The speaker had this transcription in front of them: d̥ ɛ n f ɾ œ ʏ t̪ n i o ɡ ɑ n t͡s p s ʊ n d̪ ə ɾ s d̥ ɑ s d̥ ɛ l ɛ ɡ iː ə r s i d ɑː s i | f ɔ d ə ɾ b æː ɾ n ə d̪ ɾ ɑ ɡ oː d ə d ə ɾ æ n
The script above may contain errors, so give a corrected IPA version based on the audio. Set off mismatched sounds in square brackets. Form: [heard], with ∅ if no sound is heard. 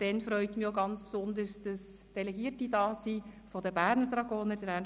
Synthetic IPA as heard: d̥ ɛ n f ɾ œ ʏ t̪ [m] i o ɡ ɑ n t͡s p s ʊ n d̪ ə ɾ s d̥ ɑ s d̥ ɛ l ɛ ɡ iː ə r [t] i d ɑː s i | f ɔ d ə [∅] b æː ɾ n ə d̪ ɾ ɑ ɡ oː [n] ə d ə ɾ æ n